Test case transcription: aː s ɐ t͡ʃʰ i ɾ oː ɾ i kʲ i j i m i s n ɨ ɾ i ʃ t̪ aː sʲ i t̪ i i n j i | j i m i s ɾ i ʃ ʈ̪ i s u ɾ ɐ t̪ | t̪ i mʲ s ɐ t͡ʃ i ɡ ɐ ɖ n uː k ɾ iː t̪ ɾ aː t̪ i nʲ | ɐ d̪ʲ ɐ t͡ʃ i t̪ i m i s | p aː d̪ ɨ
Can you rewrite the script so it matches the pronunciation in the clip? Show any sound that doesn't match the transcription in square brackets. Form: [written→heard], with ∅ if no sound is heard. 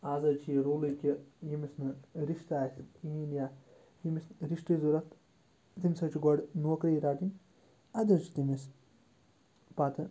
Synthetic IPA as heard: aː [s→z] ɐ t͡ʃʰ i ɾ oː [ɾ→l] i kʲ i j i m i s n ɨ ɾ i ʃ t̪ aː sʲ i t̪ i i n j [i→a] | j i m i s ɾ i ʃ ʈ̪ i [s→z] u ɾ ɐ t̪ | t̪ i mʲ s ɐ t͡ʃ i ɡ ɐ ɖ n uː k ɾ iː [t̪→∅] ɾ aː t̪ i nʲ | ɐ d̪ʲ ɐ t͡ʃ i t̪ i m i s | p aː [d̪→t̪] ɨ